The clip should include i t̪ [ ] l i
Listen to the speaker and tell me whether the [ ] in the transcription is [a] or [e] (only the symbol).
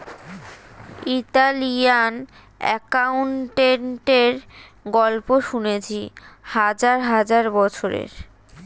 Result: a